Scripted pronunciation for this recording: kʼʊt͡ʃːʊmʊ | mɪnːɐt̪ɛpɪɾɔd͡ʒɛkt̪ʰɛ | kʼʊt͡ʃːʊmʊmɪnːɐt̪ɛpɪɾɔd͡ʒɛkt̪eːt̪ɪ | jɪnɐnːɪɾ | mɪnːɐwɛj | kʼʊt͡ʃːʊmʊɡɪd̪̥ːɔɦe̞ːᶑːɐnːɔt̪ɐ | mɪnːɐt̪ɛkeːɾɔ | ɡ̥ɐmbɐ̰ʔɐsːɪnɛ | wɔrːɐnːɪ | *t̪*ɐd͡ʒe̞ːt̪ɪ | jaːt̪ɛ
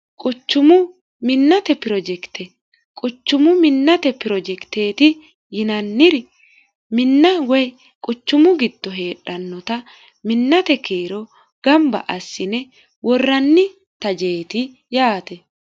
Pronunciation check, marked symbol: correct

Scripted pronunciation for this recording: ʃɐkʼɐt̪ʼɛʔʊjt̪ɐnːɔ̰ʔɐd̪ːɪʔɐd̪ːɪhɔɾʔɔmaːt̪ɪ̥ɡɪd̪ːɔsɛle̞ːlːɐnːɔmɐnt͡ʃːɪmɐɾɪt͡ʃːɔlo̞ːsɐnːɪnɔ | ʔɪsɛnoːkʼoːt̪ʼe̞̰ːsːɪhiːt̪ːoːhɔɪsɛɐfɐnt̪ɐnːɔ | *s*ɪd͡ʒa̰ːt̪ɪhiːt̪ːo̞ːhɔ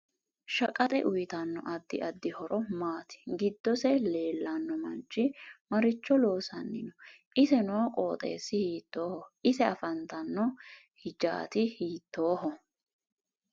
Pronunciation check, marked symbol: incorrect: h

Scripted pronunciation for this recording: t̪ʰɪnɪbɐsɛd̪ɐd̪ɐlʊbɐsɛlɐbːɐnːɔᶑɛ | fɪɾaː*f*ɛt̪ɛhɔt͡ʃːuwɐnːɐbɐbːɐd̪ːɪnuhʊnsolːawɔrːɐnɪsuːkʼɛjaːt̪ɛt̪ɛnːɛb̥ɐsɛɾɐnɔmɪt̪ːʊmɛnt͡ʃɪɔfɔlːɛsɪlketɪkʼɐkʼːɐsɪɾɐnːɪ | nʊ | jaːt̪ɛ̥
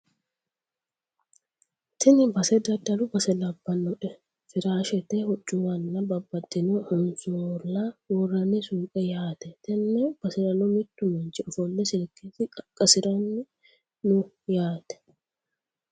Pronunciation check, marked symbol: incorrect: ʃ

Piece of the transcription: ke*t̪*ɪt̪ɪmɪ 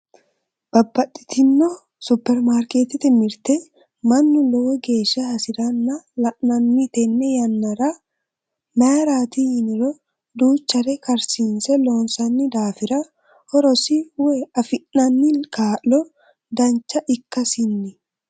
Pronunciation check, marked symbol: correct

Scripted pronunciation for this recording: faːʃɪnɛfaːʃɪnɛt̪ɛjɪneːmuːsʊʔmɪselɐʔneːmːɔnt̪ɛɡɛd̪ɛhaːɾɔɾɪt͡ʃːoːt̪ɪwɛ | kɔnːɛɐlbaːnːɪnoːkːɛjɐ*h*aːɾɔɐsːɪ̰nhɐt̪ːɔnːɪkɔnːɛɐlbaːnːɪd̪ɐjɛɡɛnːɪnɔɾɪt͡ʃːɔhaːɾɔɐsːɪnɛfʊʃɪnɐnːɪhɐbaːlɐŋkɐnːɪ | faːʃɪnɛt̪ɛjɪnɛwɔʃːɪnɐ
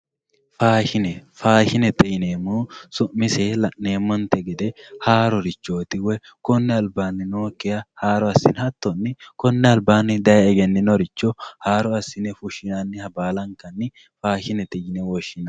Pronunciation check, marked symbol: correct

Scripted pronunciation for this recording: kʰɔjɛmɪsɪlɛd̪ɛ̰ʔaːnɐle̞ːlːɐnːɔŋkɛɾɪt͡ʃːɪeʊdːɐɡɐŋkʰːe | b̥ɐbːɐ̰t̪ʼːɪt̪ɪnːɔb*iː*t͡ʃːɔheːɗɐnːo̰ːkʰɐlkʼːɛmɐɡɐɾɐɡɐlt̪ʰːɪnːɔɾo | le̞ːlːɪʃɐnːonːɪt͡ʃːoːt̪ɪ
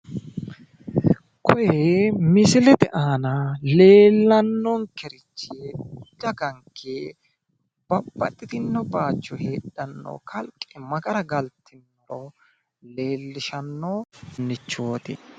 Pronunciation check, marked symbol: incorrect: aː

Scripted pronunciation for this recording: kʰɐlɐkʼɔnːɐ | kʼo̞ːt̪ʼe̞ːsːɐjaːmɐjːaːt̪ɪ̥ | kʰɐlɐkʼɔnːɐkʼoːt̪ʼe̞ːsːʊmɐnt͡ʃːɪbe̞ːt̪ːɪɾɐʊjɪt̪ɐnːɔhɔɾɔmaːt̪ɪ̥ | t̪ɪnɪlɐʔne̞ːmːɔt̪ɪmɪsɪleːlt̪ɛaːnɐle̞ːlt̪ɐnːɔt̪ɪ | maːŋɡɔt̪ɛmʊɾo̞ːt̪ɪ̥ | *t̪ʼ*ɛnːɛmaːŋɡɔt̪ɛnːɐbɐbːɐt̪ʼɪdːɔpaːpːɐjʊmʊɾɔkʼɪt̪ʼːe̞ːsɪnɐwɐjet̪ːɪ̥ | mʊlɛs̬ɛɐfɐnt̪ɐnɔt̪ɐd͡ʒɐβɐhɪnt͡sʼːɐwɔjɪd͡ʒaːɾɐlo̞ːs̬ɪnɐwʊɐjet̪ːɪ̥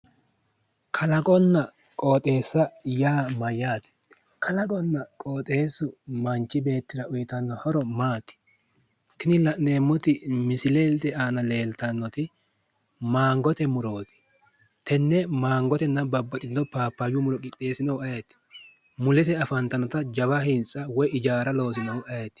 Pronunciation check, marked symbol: incorrect: t̪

